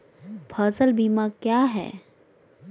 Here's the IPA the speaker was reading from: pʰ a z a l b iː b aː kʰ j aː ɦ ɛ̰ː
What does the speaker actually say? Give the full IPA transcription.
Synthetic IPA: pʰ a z ə l b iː m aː k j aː ɦ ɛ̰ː